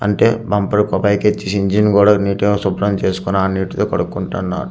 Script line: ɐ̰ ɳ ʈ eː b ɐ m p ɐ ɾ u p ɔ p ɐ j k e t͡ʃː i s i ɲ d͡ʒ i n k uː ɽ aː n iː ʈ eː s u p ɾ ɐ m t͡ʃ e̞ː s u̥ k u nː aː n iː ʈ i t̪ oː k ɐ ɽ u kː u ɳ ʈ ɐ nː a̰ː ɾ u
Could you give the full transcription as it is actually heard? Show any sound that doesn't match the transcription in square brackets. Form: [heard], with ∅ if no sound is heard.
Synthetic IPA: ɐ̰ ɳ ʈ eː b ɐ m p ɐ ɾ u [k] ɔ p ɐ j k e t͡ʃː i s i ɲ d͡ʒ i n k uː ɽ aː n iː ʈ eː s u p ɾ ɐ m t͡ʃ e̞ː s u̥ k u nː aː n iː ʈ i t̪ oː k ɐ ɽ u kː u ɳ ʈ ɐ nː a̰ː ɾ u

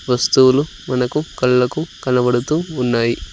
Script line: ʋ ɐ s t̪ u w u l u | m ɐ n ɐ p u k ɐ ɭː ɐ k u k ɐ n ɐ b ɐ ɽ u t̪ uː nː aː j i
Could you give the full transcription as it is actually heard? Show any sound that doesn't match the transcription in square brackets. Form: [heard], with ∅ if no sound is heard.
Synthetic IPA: ʋ ɐ s t̪ u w u l u | m ɐ n ɐ [k] u k ɐ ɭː ɐ k u k ɐ n ɐ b ɐ ɽ u t̪ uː nː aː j i

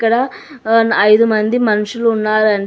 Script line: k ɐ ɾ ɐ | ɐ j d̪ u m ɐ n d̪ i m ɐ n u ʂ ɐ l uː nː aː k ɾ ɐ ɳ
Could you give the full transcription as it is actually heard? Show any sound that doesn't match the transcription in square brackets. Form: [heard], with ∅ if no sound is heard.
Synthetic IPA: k ɐ [ɽ] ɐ | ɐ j d̪ u m ɐ n d̪ i m ɐ n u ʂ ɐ l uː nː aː [∅] ɾ ɐ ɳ

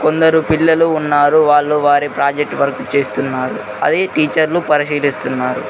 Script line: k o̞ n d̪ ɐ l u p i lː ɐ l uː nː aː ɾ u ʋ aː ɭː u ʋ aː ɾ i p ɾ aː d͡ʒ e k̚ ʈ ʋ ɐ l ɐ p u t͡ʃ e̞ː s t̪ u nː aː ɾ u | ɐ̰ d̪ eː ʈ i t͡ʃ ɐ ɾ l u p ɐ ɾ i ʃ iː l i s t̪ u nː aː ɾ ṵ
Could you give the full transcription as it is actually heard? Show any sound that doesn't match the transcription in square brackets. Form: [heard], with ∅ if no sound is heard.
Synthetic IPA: k o̞ n d̪ ɐ [ɾ] u p i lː ɐ l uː nː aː ɾ u ʋ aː ɭː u ʋ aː ɾ i p ɾ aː d͡ʒ e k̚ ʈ ʋ ɐ [ɾ] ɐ [k] u t͡ʃ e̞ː s t̪ u nː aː ɾ u | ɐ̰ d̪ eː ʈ [iː] t͡ʃ ɐ ɾ l u p ɐ ɾ i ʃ iː l i s t̪ u nː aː ɾ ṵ

